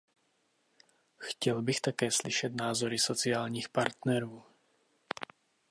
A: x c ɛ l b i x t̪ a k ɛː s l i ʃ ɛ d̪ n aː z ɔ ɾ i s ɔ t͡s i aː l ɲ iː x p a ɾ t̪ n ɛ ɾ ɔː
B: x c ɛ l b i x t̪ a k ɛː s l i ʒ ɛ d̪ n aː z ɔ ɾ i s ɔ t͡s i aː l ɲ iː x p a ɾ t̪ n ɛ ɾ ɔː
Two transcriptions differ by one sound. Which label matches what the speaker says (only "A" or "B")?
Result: A